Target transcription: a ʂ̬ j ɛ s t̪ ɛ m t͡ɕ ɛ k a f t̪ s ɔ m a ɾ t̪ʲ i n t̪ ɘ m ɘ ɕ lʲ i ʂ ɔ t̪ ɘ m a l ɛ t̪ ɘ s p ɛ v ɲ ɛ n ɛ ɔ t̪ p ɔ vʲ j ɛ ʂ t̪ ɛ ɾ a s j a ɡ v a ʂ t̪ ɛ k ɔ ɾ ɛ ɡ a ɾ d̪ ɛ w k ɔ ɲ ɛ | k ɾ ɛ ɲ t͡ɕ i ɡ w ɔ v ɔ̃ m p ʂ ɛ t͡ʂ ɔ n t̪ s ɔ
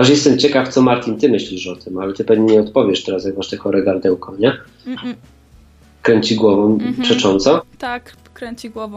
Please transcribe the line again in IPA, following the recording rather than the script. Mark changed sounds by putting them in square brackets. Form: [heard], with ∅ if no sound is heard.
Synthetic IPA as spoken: a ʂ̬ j ɛ s t̪ ɛ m t͡ɕ ɛ k a f t̪ s ɔ m a ɾ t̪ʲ i n t̪ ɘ m ɘ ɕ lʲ i ʂ ɔ t̪ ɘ m a l ɛ t̪ ɘ [∅] p ɛ v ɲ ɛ [ɲ] ɛ ɔ t̪ p ɔ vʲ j ɛ ʂ t̪ ɛ ɾ a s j a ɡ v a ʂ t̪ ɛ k ɔ ɾ ɛ ɡ a ɾ d̪ ɛ w k ɔ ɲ ɛ | k ɾ ɛ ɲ t͡ɕ i ɡ w ɔ v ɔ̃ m p ʂ ɛ t͡ʂ ɔ n t̪ s ɔ